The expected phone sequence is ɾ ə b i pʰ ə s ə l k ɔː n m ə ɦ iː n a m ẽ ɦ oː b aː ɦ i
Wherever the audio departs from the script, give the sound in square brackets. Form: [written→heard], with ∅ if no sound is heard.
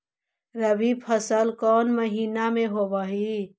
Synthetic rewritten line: ɾ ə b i pʰ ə s ə l k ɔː n m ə ɦ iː n a m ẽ ɦ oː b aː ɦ i